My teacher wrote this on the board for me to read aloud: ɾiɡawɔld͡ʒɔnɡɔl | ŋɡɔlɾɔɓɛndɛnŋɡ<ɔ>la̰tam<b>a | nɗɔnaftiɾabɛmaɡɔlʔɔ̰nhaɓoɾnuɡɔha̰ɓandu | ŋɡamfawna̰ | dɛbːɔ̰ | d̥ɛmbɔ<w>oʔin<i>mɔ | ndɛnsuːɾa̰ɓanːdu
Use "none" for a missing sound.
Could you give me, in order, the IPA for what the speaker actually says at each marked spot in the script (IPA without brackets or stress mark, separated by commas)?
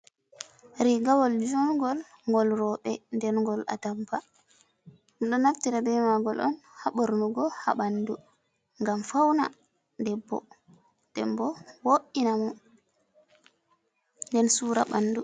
ɔ, p, w, a